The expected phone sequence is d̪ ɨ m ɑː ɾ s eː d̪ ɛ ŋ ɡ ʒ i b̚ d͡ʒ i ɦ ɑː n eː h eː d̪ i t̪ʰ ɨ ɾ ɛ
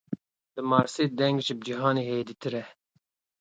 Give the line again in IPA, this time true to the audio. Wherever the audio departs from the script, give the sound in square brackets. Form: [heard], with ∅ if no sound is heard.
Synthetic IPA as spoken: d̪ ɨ m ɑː ɾ s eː d̪ ɛ ŋ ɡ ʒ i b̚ d͡ʒ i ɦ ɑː n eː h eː d̪ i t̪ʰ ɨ ɾ ɛ